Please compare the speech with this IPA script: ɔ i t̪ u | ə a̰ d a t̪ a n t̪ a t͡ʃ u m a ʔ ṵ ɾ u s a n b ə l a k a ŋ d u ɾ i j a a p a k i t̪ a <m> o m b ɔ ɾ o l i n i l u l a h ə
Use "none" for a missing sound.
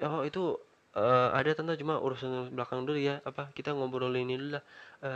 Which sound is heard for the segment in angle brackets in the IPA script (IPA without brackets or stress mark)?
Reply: ŋ